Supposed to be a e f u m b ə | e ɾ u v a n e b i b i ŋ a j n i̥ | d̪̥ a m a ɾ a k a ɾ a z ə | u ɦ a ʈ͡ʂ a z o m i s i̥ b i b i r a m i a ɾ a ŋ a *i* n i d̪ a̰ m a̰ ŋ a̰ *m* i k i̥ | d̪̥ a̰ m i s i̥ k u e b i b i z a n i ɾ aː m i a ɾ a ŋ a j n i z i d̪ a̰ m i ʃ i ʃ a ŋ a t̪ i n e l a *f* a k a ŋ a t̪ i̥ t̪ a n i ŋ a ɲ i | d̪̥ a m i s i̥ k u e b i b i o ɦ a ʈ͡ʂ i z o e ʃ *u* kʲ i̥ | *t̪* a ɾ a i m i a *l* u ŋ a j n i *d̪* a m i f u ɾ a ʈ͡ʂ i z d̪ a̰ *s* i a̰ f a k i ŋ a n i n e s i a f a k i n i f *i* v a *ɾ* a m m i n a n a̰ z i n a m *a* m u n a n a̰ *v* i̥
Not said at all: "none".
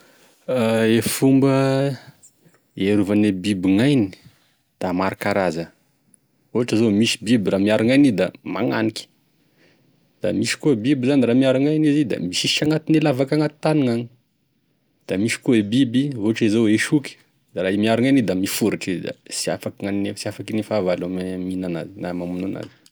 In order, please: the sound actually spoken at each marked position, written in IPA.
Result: j, n, v, u, d̪, ɾ, d̪, s, a, l, a, z

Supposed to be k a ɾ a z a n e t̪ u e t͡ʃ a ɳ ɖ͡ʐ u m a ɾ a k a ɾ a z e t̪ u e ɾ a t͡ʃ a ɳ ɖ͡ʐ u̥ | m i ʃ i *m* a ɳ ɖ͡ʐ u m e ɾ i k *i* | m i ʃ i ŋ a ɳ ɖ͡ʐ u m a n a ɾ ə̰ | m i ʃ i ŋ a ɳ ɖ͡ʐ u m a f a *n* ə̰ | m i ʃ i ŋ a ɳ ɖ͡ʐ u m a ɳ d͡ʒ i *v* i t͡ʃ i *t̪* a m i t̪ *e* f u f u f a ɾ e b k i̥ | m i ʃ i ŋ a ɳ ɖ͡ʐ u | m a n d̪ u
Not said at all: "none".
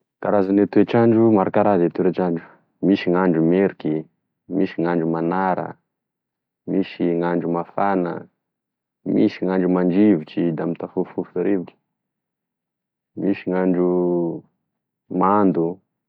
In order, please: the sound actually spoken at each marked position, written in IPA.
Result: ŋ, i, n, v, d̪, a

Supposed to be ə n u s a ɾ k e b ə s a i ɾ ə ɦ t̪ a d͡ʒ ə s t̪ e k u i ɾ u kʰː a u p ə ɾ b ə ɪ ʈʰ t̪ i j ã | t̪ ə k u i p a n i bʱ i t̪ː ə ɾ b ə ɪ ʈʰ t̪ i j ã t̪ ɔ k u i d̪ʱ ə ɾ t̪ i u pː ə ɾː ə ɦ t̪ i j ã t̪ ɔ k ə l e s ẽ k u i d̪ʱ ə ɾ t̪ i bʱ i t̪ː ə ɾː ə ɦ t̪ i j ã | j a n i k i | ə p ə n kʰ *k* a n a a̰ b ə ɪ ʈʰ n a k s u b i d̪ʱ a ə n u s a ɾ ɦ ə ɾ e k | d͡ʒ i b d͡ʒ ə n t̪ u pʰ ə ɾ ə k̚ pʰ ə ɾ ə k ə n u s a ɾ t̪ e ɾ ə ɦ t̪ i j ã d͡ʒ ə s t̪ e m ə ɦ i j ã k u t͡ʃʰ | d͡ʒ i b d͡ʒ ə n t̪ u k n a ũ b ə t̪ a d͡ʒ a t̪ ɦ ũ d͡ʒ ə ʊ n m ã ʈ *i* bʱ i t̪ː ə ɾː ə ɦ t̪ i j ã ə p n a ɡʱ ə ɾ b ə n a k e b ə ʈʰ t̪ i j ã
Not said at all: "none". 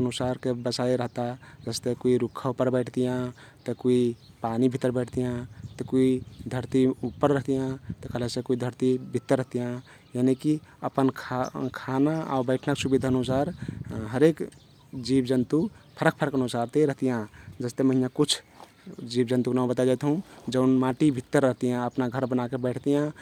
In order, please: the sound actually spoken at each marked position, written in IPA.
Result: kʰ, i

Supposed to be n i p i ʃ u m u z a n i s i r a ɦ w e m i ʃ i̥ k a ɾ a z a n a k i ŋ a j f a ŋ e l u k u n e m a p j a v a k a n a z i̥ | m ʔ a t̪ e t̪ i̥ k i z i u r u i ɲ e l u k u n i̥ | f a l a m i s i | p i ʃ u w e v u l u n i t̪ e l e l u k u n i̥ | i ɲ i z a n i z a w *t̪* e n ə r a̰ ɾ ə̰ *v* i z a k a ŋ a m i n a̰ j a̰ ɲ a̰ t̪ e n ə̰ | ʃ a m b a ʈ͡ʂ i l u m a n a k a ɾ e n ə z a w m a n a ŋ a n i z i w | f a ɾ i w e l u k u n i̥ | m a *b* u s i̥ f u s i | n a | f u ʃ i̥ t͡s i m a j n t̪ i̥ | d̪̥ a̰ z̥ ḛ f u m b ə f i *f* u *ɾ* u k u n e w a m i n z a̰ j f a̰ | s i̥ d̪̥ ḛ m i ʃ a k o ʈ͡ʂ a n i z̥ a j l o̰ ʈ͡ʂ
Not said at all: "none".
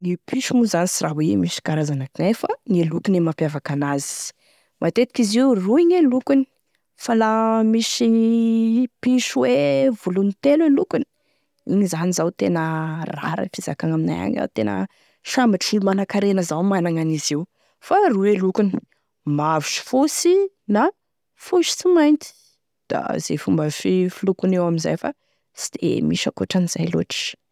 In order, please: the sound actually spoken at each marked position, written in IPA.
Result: t̪, f, v, f, l

